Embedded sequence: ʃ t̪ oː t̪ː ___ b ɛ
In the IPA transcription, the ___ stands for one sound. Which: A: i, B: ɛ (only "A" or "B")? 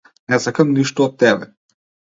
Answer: B